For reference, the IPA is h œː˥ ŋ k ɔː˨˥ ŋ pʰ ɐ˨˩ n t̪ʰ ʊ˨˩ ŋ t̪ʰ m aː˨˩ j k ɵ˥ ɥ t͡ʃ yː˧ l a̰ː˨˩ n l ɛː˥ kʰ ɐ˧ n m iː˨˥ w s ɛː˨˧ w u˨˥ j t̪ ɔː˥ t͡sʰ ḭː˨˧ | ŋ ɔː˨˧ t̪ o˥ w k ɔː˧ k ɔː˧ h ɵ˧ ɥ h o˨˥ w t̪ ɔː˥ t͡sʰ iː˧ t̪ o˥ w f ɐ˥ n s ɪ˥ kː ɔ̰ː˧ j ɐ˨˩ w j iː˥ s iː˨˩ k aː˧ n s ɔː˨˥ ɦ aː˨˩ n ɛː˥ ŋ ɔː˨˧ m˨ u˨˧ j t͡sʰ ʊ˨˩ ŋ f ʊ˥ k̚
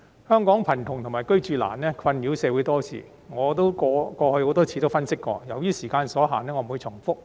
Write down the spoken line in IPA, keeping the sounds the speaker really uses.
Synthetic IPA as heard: h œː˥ ŋ k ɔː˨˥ ŋ pʰ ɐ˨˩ n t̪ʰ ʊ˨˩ ŋ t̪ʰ m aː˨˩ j k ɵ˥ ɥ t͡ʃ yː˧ l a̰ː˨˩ n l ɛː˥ kʰ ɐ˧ n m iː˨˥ w s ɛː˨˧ w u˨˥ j t̪ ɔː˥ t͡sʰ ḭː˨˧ | ŋ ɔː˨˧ t̪ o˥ w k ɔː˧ k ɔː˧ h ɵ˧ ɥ h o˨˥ w t̪ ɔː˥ t͡sʰ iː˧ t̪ o˥ w f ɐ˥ n s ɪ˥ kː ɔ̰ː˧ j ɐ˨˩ w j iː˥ s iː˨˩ k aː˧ n s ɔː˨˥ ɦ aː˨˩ n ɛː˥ ŋ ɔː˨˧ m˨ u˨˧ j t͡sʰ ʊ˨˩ ŋ f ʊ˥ k̚